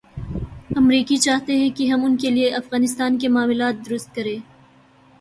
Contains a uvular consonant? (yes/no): no